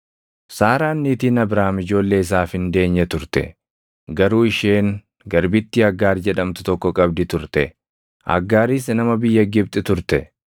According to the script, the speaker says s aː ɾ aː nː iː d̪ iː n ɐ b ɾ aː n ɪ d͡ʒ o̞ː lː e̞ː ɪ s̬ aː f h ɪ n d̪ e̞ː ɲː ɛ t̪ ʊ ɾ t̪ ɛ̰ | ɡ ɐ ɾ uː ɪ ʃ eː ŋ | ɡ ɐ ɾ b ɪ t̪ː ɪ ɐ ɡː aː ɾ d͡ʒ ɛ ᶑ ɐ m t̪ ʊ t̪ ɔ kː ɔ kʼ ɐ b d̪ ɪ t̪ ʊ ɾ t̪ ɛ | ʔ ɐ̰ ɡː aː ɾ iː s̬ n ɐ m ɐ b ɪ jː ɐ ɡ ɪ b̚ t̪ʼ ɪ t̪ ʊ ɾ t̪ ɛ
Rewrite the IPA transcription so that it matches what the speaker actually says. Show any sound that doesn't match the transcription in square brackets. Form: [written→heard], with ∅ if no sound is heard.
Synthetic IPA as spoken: s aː ɾ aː nː iː [d̪→t̪] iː n ɐ b ɾ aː [n→m] ɪ d͡ʒ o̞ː lː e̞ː ɪ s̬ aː f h ɪ n d̪ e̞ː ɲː ɛ t̪ ʊ ɾ t̪ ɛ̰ | ɡ ɐ ɾ uː ɪ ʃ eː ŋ | ɡ ɐ ɾ b ɪ t̪ː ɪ ɐ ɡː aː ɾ d͡ʒ ɛ ᶑ ɐ m t̪ ʊ t̪ ɔ kː ɔ kʼ ɐ b d̪ ɪ t̪ ʊ ɾ t̪ ɛ | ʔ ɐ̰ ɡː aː ɾ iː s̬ n ɐ m ɐ b ɪ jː ɐ ɡ ɪ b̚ t̪ʼ ɪ t̪ ʊ ɾ t̪ ɛ

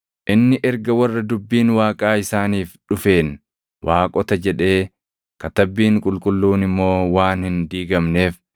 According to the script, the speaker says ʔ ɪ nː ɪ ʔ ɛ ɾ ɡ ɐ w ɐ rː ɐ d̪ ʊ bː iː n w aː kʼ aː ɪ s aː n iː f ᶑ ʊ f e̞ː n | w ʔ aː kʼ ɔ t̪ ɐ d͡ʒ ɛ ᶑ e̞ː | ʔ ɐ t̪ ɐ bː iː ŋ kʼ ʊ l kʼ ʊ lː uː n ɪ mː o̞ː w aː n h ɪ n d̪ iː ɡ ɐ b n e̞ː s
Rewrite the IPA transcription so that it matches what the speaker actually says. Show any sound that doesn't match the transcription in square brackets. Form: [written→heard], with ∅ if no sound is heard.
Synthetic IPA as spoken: ʔ ɪ nː ɪ ʔ ɛ ɾ ɡ ɐ w ɐ rː ɐ d̪ ʊ bː iː n w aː kʼ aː ɪ s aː n iː f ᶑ ʊ f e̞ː n | w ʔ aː kʼ ɔ t̪ ɐ d͡ʒ ɛ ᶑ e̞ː | [ʔ→k] ɐ t̪ ɐ bː iː ŋ kʼ ʊ l kʼ ʊ lː uː n ɪ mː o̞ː w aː n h ɪ n d̪ iː ɡ ɐ [b→m] n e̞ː [s→f]

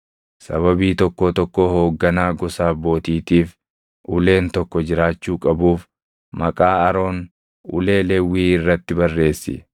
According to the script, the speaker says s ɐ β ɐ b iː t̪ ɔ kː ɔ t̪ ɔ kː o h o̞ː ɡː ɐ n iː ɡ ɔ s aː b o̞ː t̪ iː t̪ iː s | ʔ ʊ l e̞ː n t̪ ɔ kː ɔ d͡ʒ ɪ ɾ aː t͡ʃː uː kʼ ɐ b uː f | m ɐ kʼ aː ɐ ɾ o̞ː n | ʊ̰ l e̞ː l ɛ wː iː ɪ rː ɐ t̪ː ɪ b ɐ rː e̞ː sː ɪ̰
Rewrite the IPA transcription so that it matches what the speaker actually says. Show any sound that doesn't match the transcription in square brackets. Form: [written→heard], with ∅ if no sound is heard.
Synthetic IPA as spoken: s ɐ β ɐ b iː t̪ ɔ kː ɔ t̪ ɔ kː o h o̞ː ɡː ɐ n [iː→aː] ɡ ɔ s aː b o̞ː t̪ iː t̪ iː [s→f] | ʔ ʊ l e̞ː n t̪ ɔ kː ɔ d͡ʒ ɪ ɾ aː t͡ʃː uː kʼ ɐ b uː f | m ɐ kʼ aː ɐ ɾ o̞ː n | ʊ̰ l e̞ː l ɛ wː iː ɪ rː ɐ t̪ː ɪ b ɐ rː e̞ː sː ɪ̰

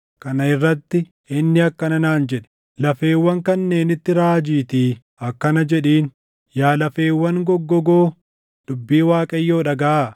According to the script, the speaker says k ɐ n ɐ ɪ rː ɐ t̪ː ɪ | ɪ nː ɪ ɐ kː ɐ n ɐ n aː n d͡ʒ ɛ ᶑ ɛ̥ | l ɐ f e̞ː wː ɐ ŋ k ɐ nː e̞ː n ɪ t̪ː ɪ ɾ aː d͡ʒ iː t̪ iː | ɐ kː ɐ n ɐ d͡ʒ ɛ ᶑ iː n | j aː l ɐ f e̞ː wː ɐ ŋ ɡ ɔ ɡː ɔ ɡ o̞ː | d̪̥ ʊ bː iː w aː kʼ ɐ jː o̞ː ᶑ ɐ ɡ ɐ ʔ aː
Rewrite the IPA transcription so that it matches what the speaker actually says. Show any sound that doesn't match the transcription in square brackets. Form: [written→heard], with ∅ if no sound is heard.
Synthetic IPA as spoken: k ɐ n ɐ ɪ rː ɐ t̪ː ɪ | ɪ nː ɪ ɐ kː ɐ n ɐ n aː n d͡ʒ ɛ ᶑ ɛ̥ | l ɐ f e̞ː wː ɐ ŋ k ɐ nː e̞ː n ɪ t̪ː ɪ ɾ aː d͡ʒ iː t̪ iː | ɐ kː ɐ n ɐ d͡ʒ ɛ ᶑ iː n | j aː l ɐ f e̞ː wː ɐ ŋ ɡ ɔ ɡː ɔ ɡ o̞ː | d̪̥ ʊ bː iː w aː kʼ ɐ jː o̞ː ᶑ ɐ ɡ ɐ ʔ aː

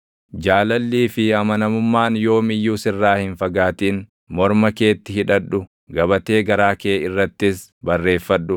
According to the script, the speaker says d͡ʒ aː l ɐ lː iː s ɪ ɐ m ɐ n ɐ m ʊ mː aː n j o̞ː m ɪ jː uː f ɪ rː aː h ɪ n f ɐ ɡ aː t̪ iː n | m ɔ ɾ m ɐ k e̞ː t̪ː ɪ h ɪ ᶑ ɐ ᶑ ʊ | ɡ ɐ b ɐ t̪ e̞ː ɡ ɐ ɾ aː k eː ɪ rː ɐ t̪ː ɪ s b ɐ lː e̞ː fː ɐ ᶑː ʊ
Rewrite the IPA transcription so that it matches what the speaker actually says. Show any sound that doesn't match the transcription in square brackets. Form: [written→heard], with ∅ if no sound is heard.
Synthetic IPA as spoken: d͡ʒ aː l ɐ lː iː [s→f] ɪ ɐ m ɐ n ɐ m ʊ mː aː n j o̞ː m ɪ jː uː [f→s] ɪ rː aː h ɪ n f ɐ ɡ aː t̪ iː n | m ɔ ɾ m ɐ k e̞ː t̪ː ɪ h ɪ ᶑ ɐ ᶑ ʊ | ɡ ɐ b ɐ t̪ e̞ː ɡ ɐ ɾ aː k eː ɪ rː ɐ t̪ː ɪ s b ɐ [lː→rː] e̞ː fː ɐ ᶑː ʊ

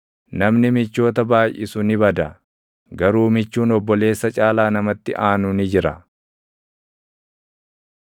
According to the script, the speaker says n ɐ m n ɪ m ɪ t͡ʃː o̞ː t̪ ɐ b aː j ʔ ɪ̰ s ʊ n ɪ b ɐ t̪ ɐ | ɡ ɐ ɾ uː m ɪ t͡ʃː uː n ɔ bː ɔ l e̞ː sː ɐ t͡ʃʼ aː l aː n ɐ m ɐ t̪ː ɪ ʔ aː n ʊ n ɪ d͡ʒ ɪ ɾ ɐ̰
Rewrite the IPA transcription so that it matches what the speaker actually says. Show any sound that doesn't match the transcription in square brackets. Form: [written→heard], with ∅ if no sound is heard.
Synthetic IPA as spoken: n ɐ m n ɪ m ɪ t͡ʃː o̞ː t̪ ɐ b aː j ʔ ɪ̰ s ʊ n ɪ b ɐ [t̪→d̪] ɐ | ɡ ɐ ɾ uː m ɪ t͡ʃː uː n ɔ bː ɔ l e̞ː sː ɐ t͡ʃʼ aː l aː n ɐ m ɐ t̪ː ɪ ʔ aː n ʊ n ɪ d͡ʒ ɪ ɾ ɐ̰

